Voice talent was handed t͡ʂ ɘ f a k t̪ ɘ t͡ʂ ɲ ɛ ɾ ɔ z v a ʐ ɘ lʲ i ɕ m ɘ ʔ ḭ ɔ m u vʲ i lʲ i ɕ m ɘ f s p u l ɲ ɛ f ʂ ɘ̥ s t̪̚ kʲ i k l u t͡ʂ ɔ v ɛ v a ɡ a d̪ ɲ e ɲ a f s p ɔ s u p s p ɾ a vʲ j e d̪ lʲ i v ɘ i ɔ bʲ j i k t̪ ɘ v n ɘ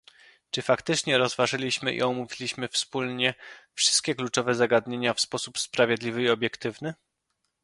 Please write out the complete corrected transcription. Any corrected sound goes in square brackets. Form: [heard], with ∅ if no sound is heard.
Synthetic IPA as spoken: t͡ʂ ɘ f a k t̪ ɘ t͡ʂ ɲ ɛ ɾ ɔ z v a ʐ ɘ lʲ i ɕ m ɘ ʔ ḭ ɔ m u vʲ i lʲ i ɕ m ɘ f s p u l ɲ ɛ f ʂ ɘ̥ s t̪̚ kʲ [ɛ] k l u t͡ʂ ɔ v ɛ [z] a ɡ a d̪ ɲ e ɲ a f s p ɔ s u p s p ɾ a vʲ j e d̪ lʲ i v ɘ i ɔ bʲ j [ɛ] k t̪ ɘ v n ɘ